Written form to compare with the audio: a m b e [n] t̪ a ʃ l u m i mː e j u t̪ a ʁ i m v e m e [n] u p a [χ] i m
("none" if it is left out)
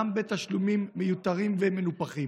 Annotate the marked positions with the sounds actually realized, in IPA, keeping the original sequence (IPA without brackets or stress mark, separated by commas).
none, n, χ